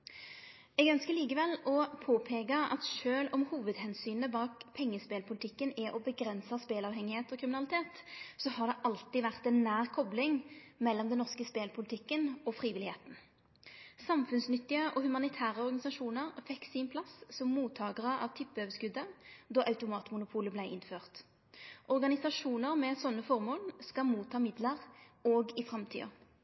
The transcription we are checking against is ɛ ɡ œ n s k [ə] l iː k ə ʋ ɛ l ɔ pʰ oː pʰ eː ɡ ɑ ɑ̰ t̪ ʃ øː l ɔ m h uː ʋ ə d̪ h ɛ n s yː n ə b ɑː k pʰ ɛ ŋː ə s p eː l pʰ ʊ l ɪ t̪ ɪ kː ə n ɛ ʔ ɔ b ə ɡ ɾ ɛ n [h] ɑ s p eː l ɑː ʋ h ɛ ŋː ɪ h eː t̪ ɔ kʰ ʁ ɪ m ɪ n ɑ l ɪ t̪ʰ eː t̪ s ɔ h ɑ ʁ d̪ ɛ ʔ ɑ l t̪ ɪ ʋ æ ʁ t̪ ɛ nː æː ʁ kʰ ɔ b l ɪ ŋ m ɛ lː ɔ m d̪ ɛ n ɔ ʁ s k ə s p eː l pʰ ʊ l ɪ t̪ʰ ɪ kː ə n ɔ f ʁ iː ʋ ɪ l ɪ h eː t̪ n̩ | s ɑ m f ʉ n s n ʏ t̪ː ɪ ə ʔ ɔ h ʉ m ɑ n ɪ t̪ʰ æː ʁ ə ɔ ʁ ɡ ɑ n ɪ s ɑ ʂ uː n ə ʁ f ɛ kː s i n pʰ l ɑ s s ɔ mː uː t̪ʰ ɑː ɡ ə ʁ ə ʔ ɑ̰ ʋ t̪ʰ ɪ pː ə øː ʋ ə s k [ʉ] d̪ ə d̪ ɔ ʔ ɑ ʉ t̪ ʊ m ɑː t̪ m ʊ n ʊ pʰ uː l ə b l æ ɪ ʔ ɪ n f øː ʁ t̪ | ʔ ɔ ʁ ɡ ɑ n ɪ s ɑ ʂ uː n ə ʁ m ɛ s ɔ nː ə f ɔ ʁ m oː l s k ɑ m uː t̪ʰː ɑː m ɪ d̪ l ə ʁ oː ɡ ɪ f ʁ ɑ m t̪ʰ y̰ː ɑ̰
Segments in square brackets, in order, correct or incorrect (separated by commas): correct, incorrect, correct